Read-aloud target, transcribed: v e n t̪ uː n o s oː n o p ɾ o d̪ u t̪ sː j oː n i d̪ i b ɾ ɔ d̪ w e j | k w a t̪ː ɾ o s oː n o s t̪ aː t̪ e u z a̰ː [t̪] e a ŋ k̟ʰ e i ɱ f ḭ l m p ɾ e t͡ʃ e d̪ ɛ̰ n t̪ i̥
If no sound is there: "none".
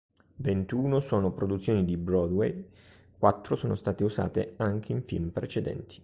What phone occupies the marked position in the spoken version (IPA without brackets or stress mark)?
t̪